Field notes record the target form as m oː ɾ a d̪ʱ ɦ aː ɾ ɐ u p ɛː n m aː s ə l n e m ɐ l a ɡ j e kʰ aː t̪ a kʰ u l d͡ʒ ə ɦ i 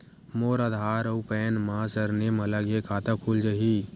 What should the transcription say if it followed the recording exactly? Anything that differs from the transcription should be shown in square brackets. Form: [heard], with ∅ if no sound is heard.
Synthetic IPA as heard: m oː ɾ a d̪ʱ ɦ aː ɾ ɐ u p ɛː n m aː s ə [ɾ] n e m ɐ l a ɡ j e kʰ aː t̪ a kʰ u l d͡ʒ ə ɦ i